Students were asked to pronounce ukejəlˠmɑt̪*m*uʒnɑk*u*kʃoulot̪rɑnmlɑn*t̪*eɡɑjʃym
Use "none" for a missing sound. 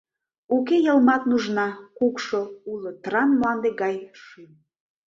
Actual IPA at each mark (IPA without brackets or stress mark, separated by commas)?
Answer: n, u, d̪